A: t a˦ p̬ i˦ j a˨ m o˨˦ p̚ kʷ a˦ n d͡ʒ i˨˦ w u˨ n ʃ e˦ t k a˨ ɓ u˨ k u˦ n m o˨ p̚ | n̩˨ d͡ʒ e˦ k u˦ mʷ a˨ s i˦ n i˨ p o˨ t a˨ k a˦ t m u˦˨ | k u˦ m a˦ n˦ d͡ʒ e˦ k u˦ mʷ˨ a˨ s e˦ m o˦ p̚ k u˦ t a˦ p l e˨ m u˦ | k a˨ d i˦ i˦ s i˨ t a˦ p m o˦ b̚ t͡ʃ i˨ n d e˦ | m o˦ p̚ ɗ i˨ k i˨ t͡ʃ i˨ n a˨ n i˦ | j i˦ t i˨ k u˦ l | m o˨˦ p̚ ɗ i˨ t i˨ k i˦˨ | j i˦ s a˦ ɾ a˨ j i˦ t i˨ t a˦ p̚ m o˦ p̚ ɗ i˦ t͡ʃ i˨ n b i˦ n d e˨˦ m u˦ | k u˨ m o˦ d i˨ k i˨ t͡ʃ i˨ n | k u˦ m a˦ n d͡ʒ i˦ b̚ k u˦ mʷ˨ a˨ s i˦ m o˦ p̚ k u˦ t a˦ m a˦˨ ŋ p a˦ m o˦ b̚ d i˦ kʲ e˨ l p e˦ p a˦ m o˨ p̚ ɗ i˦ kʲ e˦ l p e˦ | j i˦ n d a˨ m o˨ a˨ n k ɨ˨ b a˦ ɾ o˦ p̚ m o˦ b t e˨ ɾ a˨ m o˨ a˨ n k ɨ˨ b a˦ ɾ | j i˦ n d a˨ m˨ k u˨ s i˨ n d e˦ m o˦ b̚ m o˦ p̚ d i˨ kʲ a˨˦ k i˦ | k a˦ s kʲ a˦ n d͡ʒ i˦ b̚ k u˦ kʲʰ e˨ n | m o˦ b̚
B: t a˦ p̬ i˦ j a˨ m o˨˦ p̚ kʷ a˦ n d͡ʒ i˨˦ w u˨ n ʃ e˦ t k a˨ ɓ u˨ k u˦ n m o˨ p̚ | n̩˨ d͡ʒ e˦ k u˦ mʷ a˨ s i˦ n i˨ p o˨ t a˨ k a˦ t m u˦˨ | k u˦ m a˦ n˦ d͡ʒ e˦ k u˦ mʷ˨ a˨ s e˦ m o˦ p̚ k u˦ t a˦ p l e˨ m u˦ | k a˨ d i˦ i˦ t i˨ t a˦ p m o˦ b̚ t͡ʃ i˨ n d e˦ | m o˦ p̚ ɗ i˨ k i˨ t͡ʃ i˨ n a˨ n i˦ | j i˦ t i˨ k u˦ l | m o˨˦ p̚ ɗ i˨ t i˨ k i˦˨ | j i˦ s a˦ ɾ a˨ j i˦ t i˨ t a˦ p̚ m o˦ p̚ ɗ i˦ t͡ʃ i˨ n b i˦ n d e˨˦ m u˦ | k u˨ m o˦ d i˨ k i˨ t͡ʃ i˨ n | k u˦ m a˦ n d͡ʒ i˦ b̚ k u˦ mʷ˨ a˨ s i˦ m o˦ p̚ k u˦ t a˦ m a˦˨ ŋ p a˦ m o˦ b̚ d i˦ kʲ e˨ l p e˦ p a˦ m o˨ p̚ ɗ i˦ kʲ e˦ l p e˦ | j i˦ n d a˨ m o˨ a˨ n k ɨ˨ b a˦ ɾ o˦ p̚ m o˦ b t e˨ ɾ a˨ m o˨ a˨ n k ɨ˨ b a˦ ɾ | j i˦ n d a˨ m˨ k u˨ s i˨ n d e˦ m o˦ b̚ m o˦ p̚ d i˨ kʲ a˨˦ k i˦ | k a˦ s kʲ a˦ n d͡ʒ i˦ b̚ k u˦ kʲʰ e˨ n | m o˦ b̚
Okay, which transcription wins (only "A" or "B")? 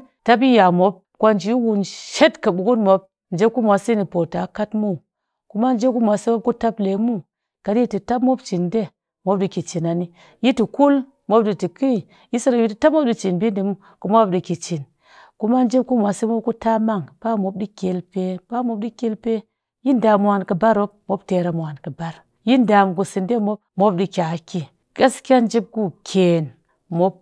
B